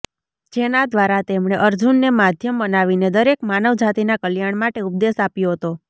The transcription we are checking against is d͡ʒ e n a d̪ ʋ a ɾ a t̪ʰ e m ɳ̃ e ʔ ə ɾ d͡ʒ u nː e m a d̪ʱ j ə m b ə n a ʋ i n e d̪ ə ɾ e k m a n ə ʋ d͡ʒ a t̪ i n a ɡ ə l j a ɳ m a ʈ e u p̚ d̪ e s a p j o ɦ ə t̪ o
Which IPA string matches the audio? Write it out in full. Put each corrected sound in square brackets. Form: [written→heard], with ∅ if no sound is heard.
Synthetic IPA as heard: d͡ʒ e n a d̪ ʋ a ɾ a [t̪ʰ→t̪] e m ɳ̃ e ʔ ə ɾ d͡ʒ u nː e m a d̪ʱ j ə m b ə n a ʋ i n e d̪ ə ɾ e k m a n ə ʋ d͡ʒ a t̪ i n a [ɡ→k] ə l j a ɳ m a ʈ e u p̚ d̪ e s a p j o ɦ ə t̪ o

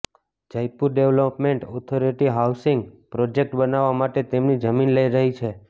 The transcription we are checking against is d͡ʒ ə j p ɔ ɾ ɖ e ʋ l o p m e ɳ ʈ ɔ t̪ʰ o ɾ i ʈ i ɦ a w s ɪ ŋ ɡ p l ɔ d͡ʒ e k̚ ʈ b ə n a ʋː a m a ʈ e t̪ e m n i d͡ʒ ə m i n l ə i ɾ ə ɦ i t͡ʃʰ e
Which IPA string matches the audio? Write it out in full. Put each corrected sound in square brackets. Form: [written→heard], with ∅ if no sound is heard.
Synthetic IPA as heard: d͡ʒ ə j p [ɔ→u] ɾ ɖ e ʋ l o p m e ɳ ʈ ɔ t̪ʰ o ɾ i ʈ i ɦ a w s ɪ ŋ ɡ p [l→ɾ] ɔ d͡ʒ e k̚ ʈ b ə n a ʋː a m a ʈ e t̪ e m n i d͡ʒ ə m i n l ə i ɾ ə ɦ i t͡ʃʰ e

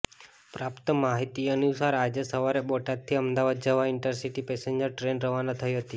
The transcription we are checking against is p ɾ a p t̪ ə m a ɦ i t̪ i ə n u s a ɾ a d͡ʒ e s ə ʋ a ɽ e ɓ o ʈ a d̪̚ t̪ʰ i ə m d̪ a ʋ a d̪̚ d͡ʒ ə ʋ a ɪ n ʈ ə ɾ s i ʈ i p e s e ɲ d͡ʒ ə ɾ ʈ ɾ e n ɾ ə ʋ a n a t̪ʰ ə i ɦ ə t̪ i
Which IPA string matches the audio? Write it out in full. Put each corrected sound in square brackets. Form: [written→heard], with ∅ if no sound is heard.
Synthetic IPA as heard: p ɾ a p t̪ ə m a ɦ i t̪ i ə n u s a ɾ a d͡ʒ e s ə ʋ a [ɽ→ɾ] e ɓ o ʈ a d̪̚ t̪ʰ i ə m d̪ a ʋ a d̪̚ d͡ʒ ə ʋ a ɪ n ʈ ə ɾ s i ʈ i p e s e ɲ d͡ʒ ə ɾ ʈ ɾ e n ɾ ə ʋ a n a t̪ʰ ə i ɦ ə t̪ i

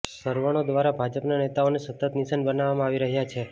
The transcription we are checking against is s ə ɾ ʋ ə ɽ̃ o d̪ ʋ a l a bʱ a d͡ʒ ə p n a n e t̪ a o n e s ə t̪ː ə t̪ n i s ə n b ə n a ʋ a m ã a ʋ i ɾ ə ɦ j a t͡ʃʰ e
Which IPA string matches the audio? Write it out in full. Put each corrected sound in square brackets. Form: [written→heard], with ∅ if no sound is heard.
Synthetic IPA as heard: s ə ɾ ʋ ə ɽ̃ o d̪ ʋ a [l→ɾ] a bʱ a d͡ʒ ə p n a n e t̪ a o n e s ə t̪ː ə t̪ n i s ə n b ə n a ʋ a m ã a ʋ i ɾ ə ɦ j a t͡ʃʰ e

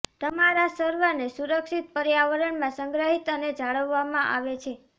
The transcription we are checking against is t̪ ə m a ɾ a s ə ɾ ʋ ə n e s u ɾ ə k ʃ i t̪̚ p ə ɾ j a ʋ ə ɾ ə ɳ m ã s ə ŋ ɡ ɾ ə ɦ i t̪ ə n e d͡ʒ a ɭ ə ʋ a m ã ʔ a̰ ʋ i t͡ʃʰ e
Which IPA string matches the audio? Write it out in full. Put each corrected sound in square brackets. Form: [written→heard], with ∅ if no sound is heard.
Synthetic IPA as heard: t̪ ə m a ɾ a s ə ɾ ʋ ə n e s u ɾ ə k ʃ i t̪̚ p ə ɾ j a ʋ ə ɾ ə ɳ m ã s ə ŋ ɡ ɾ ə ɦ i t̪ ə n e d͡ʒ a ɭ ə [ʋ→ʋː] a m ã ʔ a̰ ʋ [i→e] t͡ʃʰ e

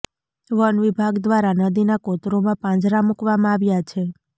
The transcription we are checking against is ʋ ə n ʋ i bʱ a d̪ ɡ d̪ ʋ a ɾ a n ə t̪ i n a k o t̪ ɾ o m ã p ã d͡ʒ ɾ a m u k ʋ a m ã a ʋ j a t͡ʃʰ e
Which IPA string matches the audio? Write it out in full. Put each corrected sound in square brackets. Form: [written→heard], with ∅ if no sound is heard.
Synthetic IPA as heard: ʋ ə n ʋ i bʱ a [d̪→∅] ɡ d̪ ʋ a ɾ a n ə [t̪→d̪] i n a k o t̪ ɾ o m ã p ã d͡ʒ ɾ a m u k ʋ a m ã a ʋ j a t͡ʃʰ e

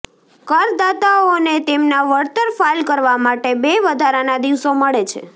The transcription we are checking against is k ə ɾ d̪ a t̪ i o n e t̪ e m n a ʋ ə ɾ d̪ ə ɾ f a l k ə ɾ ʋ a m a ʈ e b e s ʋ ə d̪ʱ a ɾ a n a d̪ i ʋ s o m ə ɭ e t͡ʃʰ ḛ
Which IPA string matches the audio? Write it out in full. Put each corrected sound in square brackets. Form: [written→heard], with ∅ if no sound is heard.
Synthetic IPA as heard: k ə ɾ d̪ a t̪ [i→a] o n e t̪ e m n a ʋ ə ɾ [d̪→t̪] ə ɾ f a l k ə ɾ ʋ a m a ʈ e b e [s→∅] ʋ ə d̪ʱ a ɾ a n a d̪ i ʋ s o m ə ɭ e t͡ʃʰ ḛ

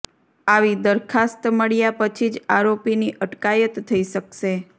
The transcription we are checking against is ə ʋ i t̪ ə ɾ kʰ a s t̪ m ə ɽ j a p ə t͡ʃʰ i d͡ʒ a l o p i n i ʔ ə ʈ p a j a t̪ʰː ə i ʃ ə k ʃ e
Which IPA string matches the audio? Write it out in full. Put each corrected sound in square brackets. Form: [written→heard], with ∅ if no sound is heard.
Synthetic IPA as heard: [ə→a] ʋ i [t̪→d̪] ə ɾ kʰ a s t̪ m ə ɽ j a p ə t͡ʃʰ i d͡ʒ a [l→ɾ] o p i n i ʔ ə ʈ [p→k] a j [a→ə] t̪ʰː ə i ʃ ə k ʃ e

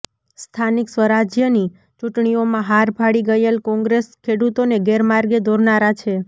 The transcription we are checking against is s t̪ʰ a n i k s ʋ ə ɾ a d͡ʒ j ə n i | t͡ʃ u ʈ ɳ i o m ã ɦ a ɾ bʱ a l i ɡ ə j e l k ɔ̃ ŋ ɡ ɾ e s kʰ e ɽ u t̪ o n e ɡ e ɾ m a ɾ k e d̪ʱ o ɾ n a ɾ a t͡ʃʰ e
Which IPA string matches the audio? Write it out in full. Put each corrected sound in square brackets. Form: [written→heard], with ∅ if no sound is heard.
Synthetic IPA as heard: s t̪ʰ a n i k s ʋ ə ɾ a d͡ʒ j ə n i | t͡ʃ u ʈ ɳ i o m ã ɦ a ɾ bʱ a [l→ɽ] i ɡ ə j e l k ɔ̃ ŋ ɡ ɾ e s kʰ e ɽ u t̪ o n e ɡ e ɾ m a ɾ [k→ɡ] e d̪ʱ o ɾ n a ɾ a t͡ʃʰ e

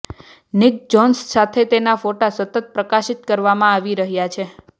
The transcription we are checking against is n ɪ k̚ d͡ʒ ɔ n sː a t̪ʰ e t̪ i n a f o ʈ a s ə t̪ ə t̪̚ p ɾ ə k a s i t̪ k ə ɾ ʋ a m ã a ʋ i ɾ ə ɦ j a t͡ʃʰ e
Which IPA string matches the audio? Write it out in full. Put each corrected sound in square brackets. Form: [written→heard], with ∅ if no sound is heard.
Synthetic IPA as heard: n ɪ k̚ d͡ʒ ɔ n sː a t̪ʰ e t̪ [i→e] n a f o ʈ a s ə t̪ ə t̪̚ p ɾ ə k a [s→ʃ] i t̪ k ə ɾ ʋ a m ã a ʋ i ɾ ə ɦ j a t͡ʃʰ e

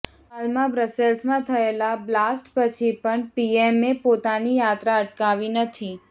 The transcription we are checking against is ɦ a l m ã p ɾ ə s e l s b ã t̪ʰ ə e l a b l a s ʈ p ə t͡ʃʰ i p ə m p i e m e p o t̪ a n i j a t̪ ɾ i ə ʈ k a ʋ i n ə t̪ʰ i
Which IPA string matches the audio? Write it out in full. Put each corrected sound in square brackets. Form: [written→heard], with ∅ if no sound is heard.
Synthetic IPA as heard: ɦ a l m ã [p→b] ɾ ə s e l s [b→m] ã t̪ʰ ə e l a b l a s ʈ p ə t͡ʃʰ i p ə [m→ɳ] p i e m e p o t̪ a n i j a t̪ ɾ [i→a] ə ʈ k a ʋ i n ə t̪ʰ i

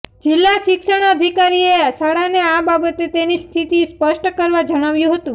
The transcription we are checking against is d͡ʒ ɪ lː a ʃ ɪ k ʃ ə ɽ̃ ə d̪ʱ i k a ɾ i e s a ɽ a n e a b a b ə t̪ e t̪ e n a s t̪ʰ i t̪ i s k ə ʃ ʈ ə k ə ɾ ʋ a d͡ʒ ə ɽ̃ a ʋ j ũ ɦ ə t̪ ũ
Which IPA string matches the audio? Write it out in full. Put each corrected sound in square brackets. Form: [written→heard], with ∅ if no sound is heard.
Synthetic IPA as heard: d͡ʒ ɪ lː a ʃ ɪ k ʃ ə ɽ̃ ə d̪ʱ i k a ɾ i e s a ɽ a n e a b a b ə t̪ e t̪ e n [a→i] s t̪ʰ i t̪ i s [k→p] ə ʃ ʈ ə k ə ɾ ʋ a d͡ʒ ə ɽ̃ a ʋ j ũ ɦ ə t̪ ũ

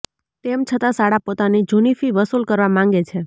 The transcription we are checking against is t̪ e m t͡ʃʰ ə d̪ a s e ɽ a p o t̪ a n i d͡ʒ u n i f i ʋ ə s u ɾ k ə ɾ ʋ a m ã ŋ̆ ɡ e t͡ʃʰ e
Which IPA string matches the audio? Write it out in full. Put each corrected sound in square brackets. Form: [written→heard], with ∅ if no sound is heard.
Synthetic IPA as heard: t̪ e m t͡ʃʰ ə [d̪→t̪] a s [e→a] ɽ a p o t̪ a n i d͡ʒ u n i f i ʋ ə s u [ɾ→l] k ə ɾ ʋ a m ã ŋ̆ ɡ e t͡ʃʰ e

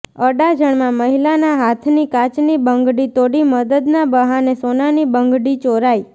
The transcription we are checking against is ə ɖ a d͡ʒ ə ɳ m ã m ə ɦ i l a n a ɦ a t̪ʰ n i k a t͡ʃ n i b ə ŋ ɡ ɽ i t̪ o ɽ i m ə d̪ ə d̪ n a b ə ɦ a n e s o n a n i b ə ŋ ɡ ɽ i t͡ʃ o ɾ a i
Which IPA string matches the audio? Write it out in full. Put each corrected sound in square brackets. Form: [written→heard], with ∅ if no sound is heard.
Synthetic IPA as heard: ə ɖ a d͡ʒ ə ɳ m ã m ə ɦ i l a n a ɦ a t̪ʰ n i k a t͡ʃ n i b ə ŋ ɡ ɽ i t̪ o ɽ i m ə d̪ ə d̪ n a b ə ɦ a n e s o n a n i b ə ŋ ɡ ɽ i t͡ʃ o ɾ a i

